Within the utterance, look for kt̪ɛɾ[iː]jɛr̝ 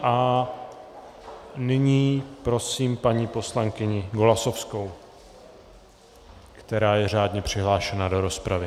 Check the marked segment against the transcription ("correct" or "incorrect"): incorrect